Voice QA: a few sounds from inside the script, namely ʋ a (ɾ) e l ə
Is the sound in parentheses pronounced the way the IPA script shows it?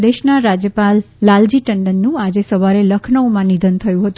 yes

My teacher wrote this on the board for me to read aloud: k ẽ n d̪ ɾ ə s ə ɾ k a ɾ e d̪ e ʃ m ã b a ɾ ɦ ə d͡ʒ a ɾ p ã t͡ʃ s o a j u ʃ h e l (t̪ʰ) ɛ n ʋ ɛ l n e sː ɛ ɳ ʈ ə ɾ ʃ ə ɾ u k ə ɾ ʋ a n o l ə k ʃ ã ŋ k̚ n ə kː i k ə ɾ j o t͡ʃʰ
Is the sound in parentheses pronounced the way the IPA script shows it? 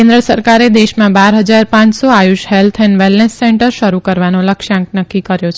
yes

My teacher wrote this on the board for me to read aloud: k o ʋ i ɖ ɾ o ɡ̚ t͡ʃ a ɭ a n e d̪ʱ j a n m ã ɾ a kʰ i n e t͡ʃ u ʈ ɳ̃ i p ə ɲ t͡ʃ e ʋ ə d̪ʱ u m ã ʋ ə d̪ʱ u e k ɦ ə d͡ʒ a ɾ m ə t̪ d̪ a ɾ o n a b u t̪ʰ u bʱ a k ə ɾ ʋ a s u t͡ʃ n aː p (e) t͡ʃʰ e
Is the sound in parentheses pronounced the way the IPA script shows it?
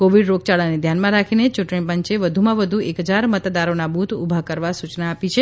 no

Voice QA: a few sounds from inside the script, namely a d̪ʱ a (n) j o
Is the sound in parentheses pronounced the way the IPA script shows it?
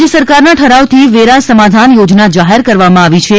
yes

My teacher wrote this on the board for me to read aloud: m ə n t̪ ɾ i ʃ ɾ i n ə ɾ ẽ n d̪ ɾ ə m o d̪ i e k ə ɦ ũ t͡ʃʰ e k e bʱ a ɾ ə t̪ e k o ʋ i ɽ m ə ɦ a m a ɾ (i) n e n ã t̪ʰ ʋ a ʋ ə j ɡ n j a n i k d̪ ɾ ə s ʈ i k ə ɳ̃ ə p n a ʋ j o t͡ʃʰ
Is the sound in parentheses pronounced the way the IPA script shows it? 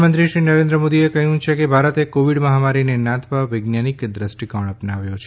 yes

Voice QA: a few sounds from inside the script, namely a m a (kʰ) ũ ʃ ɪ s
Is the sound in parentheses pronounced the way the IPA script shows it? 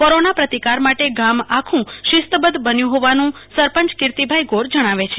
yes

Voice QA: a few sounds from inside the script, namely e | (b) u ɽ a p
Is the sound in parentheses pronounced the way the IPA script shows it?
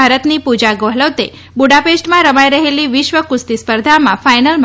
yes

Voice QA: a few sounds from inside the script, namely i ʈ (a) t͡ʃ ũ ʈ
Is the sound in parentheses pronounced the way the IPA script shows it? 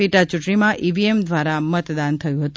yes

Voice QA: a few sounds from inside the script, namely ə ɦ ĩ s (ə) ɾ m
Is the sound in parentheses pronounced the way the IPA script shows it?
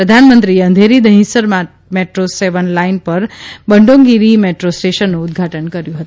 yes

